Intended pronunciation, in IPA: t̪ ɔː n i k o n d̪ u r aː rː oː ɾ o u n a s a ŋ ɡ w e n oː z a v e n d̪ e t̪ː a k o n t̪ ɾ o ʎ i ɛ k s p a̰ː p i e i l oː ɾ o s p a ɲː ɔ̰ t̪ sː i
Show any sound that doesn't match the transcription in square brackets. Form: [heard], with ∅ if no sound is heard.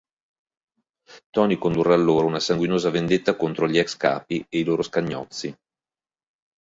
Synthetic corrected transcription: t̪ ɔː n i k o n d̪ u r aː [lː] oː ɾ o u n a s a ŋ ɡ w [i] n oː z a v e n d̪ e t̪ː a k o n t̪ ɾ o ʎ i ɛ k s [k] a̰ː p i e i l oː ɾ o s [k] a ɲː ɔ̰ t̪ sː i